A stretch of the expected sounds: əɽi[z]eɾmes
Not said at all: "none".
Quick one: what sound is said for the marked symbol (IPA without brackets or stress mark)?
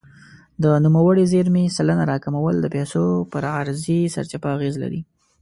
z